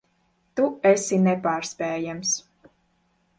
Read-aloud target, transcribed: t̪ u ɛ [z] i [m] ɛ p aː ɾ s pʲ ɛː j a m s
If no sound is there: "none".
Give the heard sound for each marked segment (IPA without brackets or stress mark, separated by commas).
s, n